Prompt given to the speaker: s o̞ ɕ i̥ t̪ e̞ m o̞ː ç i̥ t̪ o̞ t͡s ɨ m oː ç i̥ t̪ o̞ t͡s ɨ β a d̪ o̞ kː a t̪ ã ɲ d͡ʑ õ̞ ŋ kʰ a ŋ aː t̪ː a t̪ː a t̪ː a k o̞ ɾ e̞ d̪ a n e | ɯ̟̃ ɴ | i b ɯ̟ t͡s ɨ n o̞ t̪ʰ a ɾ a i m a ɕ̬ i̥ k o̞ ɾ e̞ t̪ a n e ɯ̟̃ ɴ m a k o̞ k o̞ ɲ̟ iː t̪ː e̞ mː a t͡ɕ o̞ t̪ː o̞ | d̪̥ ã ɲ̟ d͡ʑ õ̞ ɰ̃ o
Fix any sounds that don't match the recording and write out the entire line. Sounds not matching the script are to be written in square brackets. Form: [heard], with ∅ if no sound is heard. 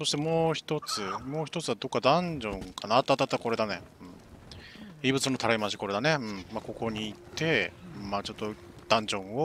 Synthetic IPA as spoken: s o̞ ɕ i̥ t̪ e̞ m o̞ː ç i̥ t̪ o̞ t͡s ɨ m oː ç i̥ t̪ o̞ t͡s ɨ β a d̪ o̞ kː a [d̪] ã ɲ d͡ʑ õ̞ ŋ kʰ a [n] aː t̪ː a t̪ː a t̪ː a k o̞ ɾ e̞ d̪ a n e | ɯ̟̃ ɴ | i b ɯ̟ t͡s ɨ n o̞ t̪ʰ a ɾ a i m a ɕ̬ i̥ k o̞ ɾ e̞ [d̪] a n e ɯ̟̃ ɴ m a k o̞ k o̞ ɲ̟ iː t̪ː e̞ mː a t͡ɕ o̞ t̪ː o̞ | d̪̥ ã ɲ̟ d͡ʑ õ̞ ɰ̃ o

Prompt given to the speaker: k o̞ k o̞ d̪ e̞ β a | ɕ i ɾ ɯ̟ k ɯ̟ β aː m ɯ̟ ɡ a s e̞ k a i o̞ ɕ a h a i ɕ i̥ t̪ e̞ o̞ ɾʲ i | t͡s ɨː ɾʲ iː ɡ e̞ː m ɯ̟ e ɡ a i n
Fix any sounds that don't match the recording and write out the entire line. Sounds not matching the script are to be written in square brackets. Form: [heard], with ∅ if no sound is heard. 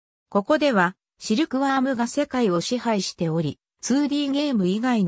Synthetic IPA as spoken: k o̞ k o̞ d̪ e̞ β a | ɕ i ɾ ɯ̟ k ɯ̟ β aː m ɯ̟ ɡ a s e̞ k a i o̞ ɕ [i] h a i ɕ i̥ t̪ e̞ o̞ ɾʲ i | t͡s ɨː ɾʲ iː ɡ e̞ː m ɯ̟ [i] ɡ a i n

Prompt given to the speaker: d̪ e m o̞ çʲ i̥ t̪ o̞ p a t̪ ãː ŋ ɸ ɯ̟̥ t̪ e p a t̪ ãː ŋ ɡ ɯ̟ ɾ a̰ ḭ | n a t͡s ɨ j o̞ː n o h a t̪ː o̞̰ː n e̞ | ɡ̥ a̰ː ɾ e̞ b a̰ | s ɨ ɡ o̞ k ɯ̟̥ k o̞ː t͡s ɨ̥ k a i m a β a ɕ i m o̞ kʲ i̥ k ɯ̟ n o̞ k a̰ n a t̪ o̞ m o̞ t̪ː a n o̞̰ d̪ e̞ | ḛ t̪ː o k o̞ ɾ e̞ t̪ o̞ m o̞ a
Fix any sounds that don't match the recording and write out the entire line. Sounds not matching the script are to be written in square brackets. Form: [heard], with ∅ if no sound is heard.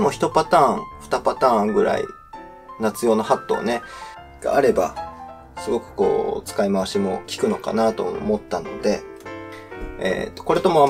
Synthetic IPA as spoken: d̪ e m o̞ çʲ i̥ t̪ o̞ p a t̪ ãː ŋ ɸ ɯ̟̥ t̪ [a] p a t̪ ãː ŋ ɡ ɯ̟ ɾ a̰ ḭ | n a t͡s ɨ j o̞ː n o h a t̪ː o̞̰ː n e̞ | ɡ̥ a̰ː ɾ e̞ b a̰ | s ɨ ɡ o̞ k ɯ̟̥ k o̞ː t͡s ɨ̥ k a i m a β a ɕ i m o̞ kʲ i̥ k ɯ̟ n o̞ k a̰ n a t̪ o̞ m o̞ t̪ː a n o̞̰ d̪ e̞ | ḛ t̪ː o k o̞ ɾ e̞ t̪ o̞ m o̞ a

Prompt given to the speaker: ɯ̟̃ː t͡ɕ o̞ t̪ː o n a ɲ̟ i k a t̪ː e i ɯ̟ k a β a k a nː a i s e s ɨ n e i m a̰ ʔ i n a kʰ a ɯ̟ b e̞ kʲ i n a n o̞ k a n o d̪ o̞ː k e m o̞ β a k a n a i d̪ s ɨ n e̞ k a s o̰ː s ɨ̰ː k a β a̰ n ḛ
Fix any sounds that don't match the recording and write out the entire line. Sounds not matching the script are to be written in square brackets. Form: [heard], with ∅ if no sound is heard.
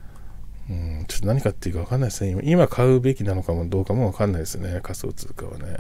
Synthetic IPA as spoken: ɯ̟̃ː t͡ɕ o̞ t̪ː o n a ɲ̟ i k a t̪ː e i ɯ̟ k a β a k a nː a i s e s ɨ n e i m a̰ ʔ i [m] a kʰ a ɯ̟ b e̞ kʲ i n a n o̞ k a [m] o d̪ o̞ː k [a] m o̞ β a k a [nː] a i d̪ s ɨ n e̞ k a s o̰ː [t͡s] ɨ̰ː k a β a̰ n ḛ

